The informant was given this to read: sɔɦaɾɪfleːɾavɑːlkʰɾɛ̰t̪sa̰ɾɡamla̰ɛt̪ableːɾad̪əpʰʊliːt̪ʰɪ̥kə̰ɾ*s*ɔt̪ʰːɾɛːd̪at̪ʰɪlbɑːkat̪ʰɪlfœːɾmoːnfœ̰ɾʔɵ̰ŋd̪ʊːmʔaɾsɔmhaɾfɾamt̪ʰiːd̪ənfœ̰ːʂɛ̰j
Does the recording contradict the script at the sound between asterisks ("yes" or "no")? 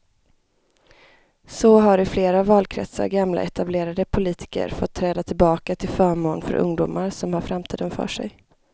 yes